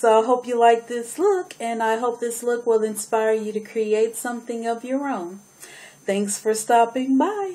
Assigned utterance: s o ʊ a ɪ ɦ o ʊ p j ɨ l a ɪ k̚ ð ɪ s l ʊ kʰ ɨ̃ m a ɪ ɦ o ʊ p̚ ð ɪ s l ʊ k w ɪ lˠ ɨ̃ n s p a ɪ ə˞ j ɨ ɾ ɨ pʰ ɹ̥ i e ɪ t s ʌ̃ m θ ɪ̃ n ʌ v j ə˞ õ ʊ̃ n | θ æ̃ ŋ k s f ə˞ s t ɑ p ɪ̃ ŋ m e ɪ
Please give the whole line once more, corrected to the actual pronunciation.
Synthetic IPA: s o ʊ a ɪ ɦ o ʊ p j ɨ l a ɪ k̚ ð ɪ s l ʊ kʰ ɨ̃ n a ɪ ɦ o ʊ p̚ ð ɪ s l ʊ k w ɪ lˠ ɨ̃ n s p a ɪ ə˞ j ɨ ɾ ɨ kʰ ɹ̥ i e ɪ t s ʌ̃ m θ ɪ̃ ŋ ʌ v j ə˞ õ ʊ̃ n | θ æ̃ ŋ k s f ə˞ s t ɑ p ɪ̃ ŋ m a ɪ